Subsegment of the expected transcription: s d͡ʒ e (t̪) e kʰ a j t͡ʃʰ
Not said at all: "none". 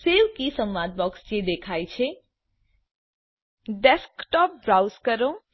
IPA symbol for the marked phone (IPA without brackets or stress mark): d̪